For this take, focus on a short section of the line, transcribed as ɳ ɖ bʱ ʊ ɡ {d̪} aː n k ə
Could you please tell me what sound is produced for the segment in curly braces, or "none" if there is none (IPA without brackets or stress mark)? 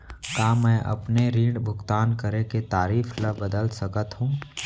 t̪